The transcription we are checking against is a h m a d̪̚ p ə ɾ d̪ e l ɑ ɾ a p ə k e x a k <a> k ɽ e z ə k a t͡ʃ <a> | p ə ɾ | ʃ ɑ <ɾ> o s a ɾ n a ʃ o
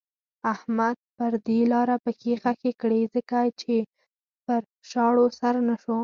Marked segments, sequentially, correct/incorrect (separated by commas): incorrect, incorrect, incorrect